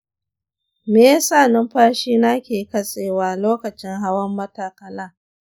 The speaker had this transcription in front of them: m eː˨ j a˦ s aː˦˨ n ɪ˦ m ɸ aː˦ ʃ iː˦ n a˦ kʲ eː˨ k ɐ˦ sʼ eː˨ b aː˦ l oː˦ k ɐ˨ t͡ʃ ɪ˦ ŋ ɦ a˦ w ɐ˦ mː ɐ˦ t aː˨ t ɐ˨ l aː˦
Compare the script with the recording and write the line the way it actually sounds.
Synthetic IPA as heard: m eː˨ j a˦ s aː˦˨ n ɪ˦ m ɸ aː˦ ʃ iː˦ n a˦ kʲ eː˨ k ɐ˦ sʼ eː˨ w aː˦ l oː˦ k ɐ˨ t͡ʃ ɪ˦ ŋ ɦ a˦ w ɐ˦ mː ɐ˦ t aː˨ k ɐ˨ l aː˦